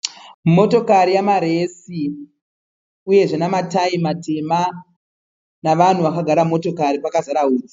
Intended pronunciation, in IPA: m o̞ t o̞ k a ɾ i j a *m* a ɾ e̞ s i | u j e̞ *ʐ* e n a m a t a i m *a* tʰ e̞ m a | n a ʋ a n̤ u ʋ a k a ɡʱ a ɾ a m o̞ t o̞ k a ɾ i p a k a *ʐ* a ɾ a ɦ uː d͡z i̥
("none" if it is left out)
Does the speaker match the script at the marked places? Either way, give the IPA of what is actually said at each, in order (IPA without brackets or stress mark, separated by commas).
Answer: m, ʐ, a, z